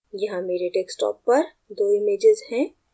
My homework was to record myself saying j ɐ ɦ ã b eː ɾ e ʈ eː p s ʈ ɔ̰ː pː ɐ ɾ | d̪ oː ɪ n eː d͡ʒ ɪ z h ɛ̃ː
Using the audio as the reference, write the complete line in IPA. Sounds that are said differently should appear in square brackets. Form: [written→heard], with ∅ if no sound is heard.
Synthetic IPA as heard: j ɐ ɦ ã [b→m] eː ɾ e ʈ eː [p→k] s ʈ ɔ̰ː pː ɐ ɾ | d̪ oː ɪ [n→m] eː d͡ʒ ɪ z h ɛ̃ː